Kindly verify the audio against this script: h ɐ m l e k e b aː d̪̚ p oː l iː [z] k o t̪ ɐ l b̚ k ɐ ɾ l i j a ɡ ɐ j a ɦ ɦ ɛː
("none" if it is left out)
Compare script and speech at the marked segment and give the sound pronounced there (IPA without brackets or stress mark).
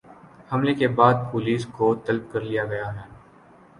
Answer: s